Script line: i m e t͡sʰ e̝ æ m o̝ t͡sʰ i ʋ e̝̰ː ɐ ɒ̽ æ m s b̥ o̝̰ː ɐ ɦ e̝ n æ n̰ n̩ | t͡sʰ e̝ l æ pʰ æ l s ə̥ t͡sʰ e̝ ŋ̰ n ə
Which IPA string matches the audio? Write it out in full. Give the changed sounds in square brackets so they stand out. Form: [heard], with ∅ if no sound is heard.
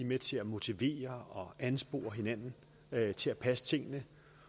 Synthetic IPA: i m e t͡sʰ e̝ æ m o̝ t͡sʰ i ʋ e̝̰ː ɐ ɒ̽ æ [n] s b̥ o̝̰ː ɐ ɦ e̝ n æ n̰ n̩ | t͡sʰ e̝ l æ pʰ æ [∅] s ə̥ t͡sʰ e̝ ŋ̰ n ə